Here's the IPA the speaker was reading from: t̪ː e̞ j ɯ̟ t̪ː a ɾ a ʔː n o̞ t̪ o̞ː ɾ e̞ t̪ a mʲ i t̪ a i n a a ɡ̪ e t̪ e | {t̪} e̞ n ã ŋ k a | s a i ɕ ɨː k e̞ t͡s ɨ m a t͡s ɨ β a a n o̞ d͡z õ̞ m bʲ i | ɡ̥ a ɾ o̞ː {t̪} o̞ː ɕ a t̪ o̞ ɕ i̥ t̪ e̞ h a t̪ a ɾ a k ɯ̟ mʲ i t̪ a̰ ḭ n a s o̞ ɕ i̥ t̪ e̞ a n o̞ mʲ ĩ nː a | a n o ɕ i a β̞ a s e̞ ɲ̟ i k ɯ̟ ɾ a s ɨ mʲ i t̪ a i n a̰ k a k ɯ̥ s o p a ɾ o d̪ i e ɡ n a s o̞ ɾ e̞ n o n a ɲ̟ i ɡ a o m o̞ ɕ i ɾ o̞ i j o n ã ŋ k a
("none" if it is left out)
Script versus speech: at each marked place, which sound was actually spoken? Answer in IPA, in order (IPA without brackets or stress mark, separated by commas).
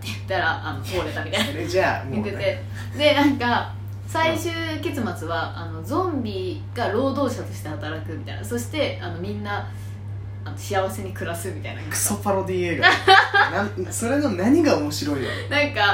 d̪, d̪